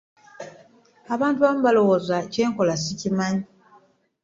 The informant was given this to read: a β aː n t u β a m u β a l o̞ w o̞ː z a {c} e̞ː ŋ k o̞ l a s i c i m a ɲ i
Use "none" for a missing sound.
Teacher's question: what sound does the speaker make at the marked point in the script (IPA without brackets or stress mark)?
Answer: c